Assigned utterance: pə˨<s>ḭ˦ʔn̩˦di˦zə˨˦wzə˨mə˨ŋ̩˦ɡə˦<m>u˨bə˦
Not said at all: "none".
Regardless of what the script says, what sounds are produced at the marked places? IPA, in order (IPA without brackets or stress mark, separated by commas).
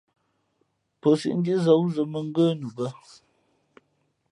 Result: s, n